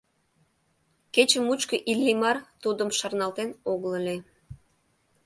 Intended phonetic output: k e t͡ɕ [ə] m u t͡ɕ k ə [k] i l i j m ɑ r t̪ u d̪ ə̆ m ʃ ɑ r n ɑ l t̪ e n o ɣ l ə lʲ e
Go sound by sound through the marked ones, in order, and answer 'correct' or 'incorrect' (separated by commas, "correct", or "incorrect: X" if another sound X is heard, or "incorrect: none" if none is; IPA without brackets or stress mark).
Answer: correct, incorrect: ʔ